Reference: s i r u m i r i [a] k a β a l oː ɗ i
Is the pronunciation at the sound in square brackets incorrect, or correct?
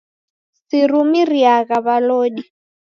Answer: correct